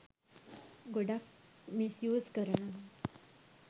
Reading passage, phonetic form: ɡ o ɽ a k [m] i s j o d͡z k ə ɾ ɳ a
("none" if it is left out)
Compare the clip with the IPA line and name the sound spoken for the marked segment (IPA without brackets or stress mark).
m